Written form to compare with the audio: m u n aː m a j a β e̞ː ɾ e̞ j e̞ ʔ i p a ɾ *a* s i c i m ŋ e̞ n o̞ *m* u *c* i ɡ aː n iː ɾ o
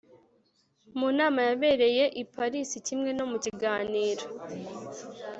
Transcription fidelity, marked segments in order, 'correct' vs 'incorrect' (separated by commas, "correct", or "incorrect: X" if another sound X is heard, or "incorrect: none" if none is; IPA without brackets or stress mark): incorrect: i, correct, correct